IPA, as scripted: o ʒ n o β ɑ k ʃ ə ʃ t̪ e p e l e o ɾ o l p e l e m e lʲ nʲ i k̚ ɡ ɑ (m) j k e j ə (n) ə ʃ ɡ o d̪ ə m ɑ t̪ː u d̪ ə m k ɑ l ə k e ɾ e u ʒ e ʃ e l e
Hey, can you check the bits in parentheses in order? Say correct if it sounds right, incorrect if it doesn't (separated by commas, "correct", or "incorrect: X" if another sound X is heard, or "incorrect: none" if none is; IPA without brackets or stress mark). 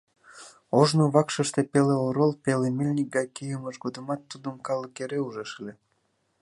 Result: incorrect: none, incorrect: m